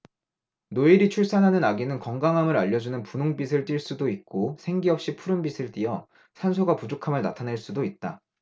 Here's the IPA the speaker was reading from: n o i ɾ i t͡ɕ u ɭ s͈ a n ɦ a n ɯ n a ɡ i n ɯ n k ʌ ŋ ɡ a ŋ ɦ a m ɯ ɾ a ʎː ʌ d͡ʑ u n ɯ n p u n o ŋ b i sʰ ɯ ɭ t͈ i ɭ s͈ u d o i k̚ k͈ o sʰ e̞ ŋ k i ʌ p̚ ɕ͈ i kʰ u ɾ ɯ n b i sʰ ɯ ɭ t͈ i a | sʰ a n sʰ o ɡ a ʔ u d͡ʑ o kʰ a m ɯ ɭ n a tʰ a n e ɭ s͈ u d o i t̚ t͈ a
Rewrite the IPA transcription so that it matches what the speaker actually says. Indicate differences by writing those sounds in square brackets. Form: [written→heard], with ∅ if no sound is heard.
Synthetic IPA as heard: n o i ɾ i [t͡ɕ→t͡ɕʰ] u ɭ s͈ a n ɦ a n ɯ n a ɡ i n ɯ n k ʌ ŋ ɡ a ŋ ɦ a m ɯ ɾ a ʎː ʌ d͡ʑ u n ɯ n p u n o ŋ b i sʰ ɯ ɭ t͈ i ɭ s͈ u d o i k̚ k͈ o sʰ e̞ ŋ [k→ɡ] i ʌ p̚ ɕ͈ i [kʰ→pʰ] u ɾ ɯ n b i sʰ ɯ ɭ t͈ i [a→ʌ] | sʰ a n sʰ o ɡ a [ʔ→p] u d͡ʑ o kʰ a m ɯ ɭ n a tʰ a n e ɭ s͈ u d o i t̚ t͈ a